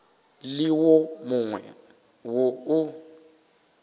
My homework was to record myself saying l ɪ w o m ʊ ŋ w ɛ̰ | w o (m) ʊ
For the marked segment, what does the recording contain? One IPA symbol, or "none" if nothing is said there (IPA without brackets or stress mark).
none